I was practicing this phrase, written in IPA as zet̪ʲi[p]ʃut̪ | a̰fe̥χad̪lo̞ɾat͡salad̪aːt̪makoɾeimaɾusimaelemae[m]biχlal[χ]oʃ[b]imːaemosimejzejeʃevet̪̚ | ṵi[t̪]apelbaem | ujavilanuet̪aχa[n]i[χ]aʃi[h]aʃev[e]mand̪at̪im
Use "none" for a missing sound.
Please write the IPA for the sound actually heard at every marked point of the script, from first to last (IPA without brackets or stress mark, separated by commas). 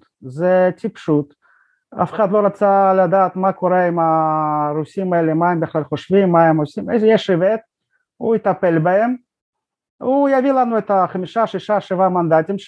p, m, χ, v, t̪, m, ʃ, ʃ, a